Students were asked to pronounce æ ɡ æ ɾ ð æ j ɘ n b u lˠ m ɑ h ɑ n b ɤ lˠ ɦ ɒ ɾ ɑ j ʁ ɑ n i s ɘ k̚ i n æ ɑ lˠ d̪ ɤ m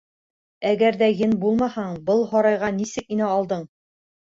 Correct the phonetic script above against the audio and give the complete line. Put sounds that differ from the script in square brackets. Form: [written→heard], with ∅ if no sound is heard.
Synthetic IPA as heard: æ ɡ æ ɾ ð æ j ɘ n b u lˠ m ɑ h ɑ [n→ɴ] b ɤ lˠ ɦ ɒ ɾ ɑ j ʁ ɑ n i s ɘ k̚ i n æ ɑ lˠ d̪ ɤ [m→ɴ]